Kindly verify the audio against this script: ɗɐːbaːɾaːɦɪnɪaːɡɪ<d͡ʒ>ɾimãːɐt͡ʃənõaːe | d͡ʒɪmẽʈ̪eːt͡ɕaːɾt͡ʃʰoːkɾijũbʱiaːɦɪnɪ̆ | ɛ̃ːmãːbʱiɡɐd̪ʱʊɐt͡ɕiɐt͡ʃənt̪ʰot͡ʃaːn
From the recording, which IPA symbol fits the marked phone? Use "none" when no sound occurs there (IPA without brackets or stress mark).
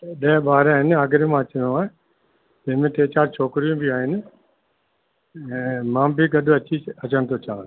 none